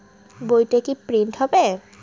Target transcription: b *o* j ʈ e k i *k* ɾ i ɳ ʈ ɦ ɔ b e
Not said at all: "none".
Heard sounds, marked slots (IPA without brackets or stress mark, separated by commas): o, p